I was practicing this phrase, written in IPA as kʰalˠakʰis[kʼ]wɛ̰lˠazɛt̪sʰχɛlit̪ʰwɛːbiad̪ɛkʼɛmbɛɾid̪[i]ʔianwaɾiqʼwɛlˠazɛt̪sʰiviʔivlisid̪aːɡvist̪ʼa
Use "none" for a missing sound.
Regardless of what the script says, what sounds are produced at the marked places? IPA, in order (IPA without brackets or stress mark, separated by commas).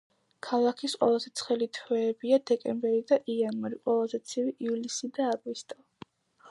qʼ, a